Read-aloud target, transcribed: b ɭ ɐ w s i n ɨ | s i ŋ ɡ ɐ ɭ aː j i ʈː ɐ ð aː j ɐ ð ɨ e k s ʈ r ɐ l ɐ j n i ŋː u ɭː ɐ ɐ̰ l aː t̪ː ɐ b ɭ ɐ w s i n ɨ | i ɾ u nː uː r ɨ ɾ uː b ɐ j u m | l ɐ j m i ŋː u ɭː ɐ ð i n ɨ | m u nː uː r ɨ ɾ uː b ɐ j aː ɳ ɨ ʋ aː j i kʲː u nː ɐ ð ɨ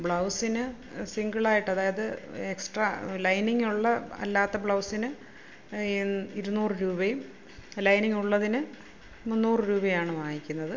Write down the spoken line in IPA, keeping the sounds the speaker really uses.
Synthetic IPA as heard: b ɭ ɐ w s i n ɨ | s i ŋ ɡ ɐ ɭ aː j i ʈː ɐ ð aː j ɐ ð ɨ e k s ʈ r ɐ l ɐ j n i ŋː u ɭː ɐ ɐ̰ lː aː t̪ː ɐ b ɭ ɐ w s i n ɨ | i ɾ u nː uː r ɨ ɾ uː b ɐ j u m | l ɐ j n i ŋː u ɭː ɐ ð i n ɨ | m u nː uː r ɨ ɾ uː b ɐ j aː ɳ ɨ ʋ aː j i kʲː u nː ɐ ð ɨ